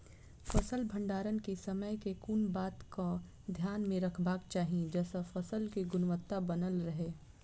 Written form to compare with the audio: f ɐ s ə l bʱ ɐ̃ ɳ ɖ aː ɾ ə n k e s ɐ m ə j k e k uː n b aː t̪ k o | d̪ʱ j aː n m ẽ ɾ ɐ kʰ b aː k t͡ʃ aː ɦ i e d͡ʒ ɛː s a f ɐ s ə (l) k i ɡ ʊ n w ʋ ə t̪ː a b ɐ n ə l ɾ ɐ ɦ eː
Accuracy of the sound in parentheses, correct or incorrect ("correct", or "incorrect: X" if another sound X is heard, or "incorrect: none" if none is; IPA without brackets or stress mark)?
correct